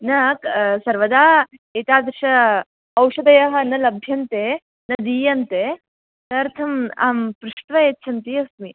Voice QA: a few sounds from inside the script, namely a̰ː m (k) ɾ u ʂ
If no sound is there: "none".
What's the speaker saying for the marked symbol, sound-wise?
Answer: p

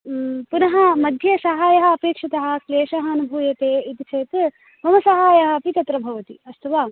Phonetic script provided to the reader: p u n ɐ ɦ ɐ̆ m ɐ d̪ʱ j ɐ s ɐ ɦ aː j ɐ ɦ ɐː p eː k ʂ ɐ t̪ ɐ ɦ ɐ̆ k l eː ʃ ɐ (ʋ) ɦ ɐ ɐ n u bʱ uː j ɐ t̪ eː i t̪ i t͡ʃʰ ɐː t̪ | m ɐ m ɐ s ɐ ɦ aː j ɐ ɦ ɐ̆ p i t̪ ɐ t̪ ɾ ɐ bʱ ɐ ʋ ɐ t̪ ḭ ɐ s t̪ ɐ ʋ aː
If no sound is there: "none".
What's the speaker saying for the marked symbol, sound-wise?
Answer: none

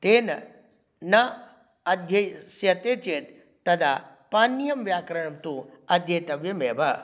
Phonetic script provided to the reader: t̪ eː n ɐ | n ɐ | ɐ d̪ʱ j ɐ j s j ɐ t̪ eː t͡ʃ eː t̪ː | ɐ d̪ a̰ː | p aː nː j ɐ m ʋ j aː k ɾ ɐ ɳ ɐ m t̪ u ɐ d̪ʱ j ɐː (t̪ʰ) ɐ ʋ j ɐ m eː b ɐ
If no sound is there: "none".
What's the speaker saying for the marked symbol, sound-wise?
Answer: t̪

